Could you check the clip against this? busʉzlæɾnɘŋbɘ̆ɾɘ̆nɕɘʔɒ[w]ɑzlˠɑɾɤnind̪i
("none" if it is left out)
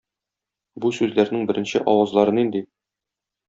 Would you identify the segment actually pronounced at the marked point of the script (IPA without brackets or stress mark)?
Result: w